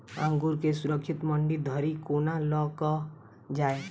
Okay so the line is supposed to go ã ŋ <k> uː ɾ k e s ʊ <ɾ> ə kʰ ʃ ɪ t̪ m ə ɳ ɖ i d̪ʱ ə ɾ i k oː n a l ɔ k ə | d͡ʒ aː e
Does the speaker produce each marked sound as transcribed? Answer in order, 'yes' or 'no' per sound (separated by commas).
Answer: no, yes